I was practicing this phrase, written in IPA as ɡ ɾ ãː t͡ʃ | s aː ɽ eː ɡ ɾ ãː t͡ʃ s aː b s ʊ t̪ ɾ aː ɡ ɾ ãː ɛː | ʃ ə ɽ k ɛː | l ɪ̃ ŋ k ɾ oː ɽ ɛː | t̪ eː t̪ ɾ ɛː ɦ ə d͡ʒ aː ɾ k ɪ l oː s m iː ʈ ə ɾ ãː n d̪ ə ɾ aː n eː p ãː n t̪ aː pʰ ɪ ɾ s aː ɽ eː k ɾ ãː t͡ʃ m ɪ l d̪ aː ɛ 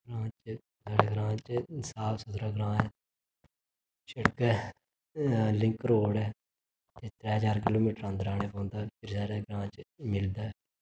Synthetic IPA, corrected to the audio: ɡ ɾ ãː t͡ʃ | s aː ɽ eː ɡ ɾ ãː t͡ʃ s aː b s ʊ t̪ ɾ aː ɡ ɾ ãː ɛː | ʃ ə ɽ k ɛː | l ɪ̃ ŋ k ɾ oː ɽ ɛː | t̪ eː t̪ ɾ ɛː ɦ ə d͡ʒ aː ɾ k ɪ l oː m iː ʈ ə ɾ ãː n d̪ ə ɾ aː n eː p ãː n d̪ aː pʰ ɪ ɾ s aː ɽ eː ɡ ɾ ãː t͡ʃ m ɪ l d̪ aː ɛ